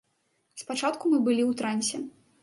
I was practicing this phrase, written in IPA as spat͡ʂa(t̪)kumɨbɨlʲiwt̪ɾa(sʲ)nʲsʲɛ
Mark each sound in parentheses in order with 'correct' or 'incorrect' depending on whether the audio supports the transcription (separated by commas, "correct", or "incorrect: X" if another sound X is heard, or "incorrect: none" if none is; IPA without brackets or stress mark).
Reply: correct, incorrect: none